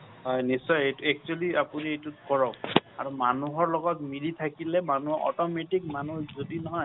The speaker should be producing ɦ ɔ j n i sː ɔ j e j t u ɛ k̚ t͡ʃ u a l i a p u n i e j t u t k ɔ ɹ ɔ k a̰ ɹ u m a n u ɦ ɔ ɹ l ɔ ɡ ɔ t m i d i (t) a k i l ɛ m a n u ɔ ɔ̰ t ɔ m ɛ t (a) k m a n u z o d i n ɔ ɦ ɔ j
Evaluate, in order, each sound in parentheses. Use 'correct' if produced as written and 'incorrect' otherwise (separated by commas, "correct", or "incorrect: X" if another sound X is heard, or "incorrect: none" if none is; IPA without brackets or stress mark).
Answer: incorrect: tʰ, incorrect: i